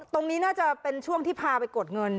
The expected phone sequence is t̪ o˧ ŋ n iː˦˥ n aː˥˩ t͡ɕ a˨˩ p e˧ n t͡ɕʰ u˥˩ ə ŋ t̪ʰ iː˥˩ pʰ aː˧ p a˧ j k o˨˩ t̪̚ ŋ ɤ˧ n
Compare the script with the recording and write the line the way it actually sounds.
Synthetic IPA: t̪ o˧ ŋ n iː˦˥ n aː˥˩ t͡ɕ a˨˩ p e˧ n t͡ɕʰ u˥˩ ə ŋ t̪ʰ iː˥˩ pʰ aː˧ p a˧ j k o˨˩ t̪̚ ŋ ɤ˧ n

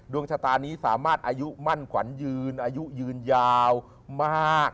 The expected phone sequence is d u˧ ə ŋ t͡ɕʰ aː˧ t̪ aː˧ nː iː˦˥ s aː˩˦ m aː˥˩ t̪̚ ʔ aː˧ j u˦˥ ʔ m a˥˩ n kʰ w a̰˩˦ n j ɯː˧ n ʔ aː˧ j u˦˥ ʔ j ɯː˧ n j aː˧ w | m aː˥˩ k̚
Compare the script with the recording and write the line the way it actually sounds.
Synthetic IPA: d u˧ ə ŋ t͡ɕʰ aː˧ t̪ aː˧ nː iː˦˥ s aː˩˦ m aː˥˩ t̪̚ ʔ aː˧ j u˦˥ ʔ m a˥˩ n kʰ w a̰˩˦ n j ɯː˧ n ʔ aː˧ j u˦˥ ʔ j ɯː˧ n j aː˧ w | m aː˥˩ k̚

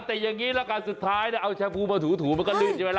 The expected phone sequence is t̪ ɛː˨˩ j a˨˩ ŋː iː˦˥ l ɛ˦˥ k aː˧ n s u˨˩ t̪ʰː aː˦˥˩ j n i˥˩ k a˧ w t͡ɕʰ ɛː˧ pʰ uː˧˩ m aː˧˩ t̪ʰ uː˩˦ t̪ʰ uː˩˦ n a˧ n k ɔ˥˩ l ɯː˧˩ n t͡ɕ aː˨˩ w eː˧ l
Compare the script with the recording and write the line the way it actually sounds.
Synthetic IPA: t̪ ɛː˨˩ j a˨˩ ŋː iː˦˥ l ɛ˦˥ k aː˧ n s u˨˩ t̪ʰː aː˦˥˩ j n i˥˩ ʔ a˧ w t͡ɕʰ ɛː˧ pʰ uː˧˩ m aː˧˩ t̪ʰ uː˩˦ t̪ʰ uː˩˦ m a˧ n k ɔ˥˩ l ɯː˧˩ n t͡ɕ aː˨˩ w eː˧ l

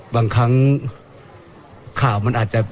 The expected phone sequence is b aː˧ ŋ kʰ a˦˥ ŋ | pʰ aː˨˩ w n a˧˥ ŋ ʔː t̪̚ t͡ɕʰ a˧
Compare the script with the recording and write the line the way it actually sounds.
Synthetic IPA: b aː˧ ŋ kʰ a˦˥ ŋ | kʰ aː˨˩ w m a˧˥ n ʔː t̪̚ t͡ɕ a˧

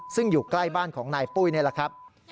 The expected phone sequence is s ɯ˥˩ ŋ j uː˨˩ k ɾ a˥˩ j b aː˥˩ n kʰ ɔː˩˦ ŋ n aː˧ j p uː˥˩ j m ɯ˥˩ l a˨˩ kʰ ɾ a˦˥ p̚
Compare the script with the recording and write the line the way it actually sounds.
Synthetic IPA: s ɯ˥˩ ŋ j uː˨˩ k l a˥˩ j b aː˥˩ n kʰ ɔː˩˦ ŋ n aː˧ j p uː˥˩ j n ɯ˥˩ l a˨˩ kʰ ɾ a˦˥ p̚

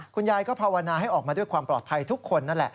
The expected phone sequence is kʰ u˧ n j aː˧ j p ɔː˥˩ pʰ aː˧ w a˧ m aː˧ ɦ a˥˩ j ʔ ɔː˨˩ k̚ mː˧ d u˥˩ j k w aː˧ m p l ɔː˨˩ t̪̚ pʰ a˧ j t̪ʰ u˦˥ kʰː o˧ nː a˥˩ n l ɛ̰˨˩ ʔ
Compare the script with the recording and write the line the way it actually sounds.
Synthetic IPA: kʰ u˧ n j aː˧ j k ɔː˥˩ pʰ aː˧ w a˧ n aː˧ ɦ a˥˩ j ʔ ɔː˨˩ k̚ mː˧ d u˥˩ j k w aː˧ m p l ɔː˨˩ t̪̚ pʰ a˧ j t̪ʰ u˦˥ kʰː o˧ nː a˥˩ n l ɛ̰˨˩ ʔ

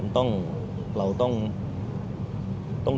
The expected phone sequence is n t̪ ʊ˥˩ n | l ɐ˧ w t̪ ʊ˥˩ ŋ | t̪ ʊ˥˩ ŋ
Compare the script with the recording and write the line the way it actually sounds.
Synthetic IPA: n t̪ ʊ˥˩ ŋ | l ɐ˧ w t̪ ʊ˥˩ ŋ | t̪ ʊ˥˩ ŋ

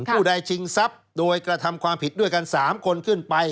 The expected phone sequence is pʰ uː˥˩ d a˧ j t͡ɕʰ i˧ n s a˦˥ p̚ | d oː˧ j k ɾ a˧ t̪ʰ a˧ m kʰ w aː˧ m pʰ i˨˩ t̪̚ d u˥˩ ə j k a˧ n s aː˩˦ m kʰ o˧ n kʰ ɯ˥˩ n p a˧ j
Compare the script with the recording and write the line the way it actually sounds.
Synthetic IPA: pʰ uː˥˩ d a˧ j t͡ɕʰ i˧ ŋ s a˦˥ p̚ | d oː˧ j k ɾ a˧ t̪ʰ a˧ m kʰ w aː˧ m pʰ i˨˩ t̪̚ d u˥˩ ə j k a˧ n s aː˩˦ m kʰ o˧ n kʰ ɯ˥˩ n p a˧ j

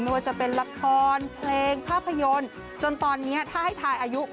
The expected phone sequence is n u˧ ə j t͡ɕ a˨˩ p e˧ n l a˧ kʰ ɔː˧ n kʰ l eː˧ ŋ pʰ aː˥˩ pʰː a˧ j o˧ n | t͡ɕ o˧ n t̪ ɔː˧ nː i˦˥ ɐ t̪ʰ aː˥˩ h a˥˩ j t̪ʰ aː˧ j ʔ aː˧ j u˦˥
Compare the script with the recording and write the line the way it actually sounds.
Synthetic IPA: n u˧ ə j t͡ɕ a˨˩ p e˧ n l a˧ kʰ ɔː˧ n pʰ l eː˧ ŋ pʰ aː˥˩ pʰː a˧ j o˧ n | t͡ɕ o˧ n t̪ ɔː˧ nː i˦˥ ɐ t̪ʰ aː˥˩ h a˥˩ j t̪ʰ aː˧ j ʔ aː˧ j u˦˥

